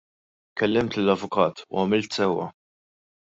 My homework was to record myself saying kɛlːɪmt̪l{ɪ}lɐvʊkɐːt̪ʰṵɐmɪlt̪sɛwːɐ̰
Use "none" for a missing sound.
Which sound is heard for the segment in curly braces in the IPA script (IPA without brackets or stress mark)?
ɪ